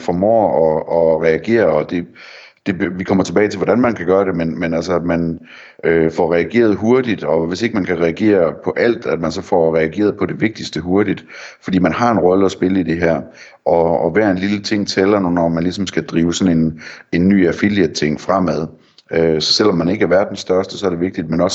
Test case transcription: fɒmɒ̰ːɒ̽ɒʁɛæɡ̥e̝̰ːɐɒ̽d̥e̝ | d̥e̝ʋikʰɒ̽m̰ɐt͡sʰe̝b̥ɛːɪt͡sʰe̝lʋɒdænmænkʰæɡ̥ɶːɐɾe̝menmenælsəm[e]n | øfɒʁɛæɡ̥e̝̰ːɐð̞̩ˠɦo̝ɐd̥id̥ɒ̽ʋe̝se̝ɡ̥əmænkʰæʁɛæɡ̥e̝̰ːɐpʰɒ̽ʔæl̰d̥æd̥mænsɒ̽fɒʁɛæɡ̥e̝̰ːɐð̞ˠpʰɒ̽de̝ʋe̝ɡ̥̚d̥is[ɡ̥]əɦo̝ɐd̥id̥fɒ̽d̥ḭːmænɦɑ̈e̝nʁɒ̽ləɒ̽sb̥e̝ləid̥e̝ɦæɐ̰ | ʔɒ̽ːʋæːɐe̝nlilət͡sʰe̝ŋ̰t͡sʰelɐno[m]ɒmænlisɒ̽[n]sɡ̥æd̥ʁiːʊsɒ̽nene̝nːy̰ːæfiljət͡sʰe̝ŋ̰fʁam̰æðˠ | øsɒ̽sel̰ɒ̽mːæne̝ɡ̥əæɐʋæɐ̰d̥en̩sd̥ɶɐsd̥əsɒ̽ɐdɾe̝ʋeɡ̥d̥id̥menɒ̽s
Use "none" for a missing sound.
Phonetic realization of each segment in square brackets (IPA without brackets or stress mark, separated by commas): æ, d̥, n, m